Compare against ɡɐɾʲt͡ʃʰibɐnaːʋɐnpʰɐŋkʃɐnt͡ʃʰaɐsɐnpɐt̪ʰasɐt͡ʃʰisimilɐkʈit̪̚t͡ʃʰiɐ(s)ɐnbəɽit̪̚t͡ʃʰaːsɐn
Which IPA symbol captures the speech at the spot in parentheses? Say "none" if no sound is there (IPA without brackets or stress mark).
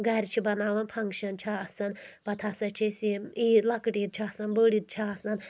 s